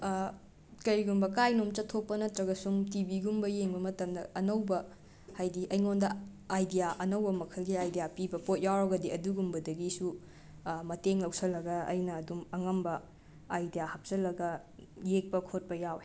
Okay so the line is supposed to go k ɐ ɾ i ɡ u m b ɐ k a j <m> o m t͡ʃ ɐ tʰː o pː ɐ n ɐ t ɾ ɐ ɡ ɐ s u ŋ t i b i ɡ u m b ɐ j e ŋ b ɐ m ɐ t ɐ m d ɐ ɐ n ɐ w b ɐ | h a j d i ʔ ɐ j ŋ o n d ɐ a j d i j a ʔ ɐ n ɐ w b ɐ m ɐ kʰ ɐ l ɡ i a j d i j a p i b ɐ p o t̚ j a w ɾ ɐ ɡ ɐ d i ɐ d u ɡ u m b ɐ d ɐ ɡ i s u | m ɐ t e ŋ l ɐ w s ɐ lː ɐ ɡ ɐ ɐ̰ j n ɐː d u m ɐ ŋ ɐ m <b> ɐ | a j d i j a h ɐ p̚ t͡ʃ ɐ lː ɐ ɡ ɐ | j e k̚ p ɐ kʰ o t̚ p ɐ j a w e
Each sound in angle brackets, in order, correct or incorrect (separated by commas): incorrect, correct